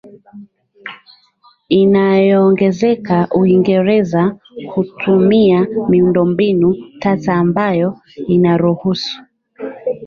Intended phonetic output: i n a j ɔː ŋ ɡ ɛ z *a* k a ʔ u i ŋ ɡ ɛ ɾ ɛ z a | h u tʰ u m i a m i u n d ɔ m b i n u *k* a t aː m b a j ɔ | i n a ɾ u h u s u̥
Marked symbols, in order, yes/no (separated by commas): no, no